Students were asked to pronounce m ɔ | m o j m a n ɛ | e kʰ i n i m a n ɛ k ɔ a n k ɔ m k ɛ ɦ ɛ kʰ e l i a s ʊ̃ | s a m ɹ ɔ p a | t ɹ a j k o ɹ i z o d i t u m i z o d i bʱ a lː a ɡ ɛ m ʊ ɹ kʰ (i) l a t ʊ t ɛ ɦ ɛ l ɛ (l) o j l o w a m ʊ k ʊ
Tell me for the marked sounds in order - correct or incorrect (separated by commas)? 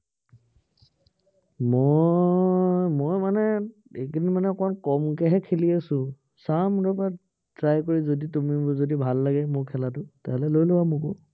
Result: incorrect, correct